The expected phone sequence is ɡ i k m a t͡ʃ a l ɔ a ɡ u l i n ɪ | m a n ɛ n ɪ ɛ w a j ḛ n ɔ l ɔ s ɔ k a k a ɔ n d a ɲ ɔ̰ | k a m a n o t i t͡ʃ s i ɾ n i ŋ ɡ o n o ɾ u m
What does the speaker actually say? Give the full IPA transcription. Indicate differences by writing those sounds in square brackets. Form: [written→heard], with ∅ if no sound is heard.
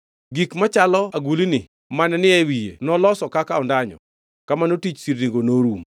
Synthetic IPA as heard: ɡ i k m a t͡ʃ a l ɔ a ɡ u l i n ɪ | m a n ɛ n ɪ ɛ w [a→i] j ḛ n ɔ l ɔ s ɔ k a k a ɔ n d a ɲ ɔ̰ | k a m a n o t i t͡ʃ s i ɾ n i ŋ ɡ o n o ɾ u m